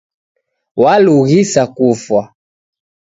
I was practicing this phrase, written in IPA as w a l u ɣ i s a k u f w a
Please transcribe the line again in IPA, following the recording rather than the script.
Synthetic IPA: w a l u ɣ i s a k u f w a